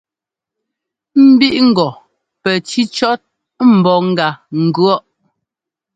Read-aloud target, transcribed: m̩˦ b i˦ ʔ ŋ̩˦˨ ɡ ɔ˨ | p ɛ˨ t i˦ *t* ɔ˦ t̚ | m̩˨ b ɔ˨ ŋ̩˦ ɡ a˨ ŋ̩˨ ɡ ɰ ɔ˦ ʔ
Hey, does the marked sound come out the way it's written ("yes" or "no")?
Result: no